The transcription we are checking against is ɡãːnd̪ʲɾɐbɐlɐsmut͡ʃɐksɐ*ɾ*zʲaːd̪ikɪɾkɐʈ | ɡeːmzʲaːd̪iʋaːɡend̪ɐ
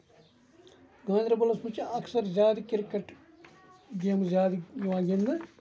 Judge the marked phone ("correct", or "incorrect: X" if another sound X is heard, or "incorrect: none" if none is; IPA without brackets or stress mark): correct